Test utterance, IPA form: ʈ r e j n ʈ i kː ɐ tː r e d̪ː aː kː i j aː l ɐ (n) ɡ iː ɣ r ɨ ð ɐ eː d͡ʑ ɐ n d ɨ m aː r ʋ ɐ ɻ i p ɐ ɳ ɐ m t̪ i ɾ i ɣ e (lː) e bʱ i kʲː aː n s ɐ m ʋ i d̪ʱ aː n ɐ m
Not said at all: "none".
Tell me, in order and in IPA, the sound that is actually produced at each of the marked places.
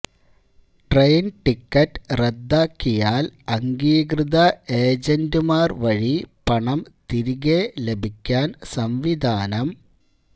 ŋ, l

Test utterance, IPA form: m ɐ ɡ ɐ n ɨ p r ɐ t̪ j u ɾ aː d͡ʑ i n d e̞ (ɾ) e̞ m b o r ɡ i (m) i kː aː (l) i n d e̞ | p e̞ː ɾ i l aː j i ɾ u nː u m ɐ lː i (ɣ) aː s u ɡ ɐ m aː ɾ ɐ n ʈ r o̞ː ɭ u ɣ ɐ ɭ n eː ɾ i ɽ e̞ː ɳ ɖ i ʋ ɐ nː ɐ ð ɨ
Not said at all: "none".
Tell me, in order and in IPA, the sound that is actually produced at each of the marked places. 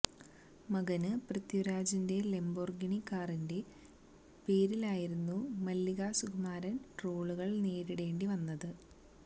l, ɳ, r, ɣ

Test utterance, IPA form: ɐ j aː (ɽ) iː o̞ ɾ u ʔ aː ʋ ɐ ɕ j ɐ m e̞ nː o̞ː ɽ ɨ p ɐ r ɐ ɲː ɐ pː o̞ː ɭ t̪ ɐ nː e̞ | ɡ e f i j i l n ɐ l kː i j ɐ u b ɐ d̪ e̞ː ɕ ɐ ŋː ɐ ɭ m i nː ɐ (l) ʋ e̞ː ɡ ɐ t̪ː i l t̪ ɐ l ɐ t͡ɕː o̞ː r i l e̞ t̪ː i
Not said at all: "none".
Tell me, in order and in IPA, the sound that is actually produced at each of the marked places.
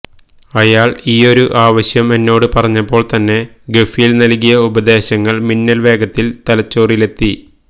ɭ, l

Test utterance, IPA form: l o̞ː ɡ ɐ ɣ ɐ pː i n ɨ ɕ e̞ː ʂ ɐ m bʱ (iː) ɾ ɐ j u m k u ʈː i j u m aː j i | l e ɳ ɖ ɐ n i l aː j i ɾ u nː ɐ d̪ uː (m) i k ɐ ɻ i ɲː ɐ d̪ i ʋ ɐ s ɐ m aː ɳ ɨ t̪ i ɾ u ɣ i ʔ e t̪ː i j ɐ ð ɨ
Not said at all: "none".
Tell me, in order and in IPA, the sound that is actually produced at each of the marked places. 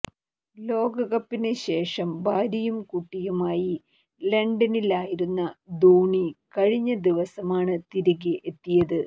aː, ɳ

